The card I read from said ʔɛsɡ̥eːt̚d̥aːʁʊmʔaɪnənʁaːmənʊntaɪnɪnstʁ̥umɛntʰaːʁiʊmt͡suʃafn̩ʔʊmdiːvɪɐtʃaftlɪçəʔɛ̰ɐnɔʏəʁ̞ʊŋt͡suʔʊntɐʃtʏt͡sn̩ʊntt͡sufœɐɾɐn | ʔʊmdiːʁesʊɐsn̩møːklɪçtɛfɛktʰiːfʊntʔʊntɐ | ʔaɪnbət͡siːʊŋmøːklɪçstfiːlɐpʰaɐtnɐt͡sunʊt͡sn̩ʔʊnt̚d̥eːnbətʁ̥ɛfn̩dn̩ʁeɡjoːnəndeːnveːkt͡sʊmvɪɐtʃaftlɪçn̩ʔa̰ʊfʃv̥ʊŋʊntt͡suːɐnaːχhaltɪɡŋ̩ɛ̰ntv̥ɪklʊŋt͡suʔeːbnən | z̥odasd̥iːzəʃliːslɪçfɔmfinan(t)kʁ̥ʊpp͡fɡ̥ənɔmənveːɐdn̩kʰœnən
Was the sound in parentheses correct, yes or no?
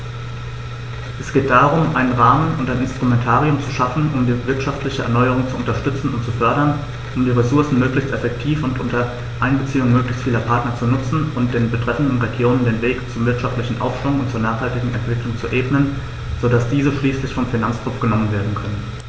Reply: no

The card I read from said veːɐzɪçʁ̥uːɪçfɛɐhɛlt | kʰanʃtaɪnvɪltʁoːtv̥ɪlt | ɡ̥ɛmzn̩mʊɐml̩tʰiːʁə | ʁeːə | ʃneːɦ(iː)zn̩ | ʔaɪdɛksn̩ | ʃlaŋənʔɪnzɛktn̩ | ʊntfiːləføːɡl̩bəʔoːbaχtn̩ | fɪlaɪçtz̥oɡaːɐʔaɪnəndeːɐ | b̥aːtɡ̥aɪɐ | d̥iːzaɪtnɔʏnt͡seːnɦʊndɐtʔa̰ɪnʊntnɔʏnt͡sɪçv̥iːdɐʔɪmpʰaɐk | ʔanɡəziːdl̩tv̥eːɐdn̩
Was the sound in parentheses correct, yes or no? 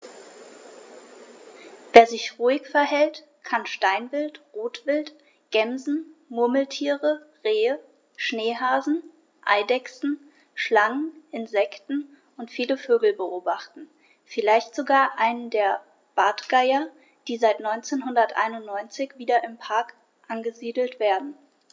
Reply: no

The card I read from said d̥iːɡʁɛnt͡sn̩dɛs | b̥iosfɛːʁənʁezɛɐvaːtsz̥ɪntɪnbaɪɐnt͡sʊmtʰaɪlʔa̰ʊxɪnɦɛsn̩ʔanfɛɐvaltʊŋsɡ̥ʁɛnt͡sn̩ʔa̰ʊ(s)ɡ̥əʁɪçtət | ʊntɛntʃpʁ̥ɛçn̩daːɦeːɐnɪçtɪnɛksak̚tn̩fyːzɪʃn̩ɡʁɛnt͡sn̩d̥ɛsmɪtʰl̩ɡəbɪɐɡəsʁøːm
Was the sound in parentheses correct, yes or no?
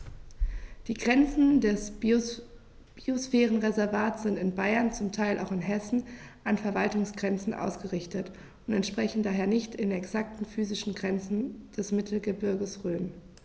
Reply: yes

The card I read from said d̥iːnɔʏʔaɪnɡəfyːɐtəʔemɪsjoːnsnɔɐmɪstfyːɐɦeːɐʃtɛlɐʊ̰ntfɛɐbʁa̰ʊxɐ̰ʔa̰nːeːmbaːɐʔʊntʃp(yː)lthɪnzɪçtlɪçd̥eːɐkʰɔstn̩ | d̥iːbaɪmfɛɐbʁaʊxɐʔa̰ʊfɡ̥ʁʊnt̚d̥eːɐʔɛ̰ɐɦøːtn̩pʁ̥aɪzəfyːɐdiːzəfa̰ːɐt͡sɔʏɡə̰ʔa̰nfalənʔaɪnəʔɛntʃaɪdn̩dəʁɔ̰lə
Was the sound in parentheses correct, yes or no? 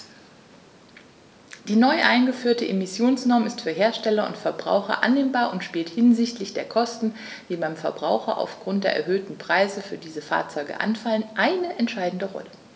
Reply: no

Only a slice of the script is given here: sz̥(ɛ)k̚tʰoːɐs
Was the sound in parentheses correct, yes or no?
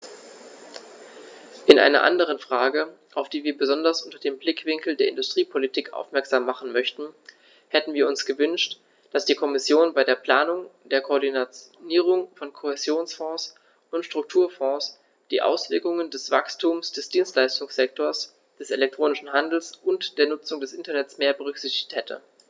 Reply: yes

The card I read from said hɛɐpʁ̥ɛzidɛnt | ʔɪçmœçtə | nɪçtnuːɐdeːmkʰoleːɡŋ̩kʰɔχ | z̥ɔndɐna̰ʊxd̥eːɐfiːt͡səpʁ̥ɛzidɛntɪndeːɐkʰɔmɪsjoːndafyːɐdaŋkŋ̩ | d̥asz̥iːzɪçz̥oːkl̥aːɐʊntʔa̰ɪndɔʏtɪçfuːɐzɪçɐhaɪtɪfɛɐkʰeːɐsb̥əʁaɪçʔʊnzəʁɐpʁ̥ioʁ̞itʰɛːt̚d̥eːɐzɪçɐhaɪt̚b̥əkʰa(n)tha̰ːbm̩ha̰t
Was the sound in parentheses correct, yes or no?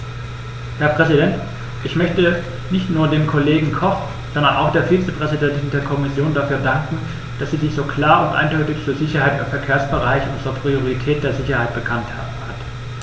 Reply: yes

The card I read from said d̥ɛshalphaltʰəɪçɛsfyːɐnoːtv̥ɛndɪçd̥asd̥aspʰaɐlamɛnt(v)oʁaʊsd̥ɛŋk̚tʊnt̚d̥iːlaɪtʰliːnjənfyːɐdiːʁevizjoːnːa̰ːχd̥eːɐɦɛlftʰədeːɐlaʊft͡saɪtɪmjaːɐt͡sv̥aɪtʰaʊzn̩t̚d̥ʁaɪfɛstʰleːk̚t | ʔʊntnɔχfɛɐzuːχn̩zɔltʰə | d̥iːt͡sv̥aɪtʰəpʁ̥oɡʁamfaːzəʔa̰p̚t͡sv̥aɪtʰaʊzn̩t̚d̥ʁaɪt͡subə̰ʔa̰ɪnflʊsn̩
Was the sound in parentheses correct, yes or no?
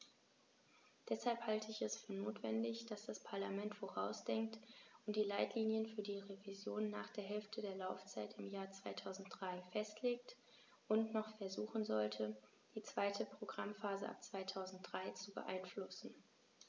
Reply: no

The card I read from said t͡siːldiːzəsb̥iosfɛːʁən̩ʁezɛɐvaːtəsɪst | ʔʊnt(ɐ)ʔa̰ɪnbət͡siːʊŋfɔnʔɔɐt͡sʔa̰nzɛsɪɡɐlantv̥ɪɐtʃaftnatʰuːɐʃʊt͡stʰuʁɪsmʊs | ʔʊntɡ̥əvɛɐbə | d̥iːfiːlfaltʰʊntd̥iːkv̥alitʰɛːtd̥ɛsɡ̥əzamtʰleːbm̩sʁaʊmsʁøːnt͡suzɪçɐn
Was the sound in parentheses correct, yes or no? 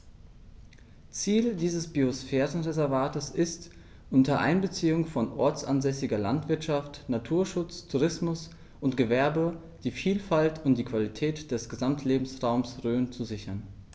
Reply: yes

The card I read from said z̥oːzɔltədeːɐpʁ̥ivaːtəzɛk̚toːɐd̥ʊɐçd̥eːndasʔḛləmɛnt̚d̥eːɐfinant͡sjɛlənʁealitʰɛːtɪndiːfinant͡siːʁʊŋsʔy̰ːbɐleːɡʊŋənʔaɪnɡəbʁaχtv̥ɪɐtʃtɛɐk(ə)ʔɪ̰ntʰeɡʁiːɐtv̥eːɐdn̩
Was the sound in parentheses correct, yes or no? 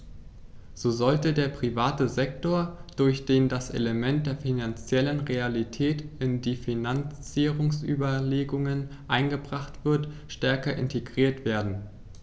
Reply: no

